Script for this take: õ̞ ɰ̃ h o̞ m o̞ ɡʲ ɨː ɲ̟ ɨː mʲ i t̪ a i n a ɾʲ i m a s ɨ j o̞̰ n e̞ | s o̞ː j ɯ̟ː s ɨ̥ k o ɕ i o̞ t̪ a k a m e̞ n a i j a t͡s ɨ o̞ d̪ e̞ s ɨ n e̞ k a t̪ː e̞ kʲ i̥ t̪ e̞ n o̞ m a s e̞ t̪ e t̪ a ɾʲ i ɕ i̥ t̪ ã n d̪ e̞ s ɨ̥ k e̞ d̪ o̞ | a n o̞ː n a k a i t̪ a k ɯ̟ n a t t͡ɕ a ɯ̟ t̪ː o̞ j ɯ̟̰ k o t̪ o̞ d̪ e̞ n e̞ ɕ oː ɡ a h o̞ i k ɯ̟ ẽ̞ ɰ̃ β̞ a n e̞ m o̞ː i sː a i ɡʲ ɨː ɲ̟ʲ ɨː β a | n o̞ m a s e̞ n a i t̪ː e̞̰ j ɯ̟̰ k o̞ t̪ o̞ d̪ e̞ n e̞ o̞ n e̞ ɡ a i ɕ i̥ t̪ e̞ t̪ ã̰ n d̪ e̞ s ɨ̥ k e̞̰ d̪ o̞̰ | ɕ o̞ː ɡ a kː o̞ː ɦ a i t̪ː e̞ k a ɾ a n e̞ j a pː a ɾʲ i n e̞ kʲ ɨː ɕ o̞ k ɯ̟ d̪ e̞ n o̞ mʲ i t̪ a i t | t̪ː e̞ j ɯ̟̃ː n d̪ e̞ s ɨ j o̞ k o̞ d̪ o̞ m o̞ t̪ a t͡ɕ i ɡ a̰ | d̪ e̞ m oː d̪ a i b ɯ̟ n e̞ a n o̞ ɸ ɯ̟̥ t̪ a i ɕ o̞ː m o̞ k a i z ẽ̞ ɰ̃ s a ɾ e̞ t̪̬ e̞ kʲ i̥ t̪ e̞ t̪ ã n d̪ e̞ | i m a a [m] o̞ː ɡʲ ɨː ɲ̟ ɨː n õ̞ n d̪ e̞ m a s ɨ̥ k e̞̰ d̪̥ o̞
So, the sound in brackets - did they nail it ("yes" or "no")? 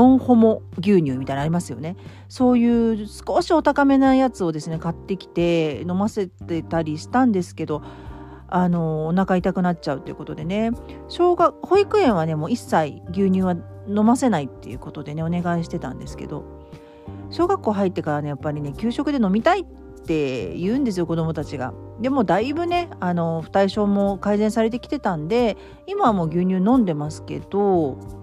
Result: yes